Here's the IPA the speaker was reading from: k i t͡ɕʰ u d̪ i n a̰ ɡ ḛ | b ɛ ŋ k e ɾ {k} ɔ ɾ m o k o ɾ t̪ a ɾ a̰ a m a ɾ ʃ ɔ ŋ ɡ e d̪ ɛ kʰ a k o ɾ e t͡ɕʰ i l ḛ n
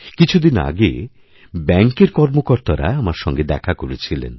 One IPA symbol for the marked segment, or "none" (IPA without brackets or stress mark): k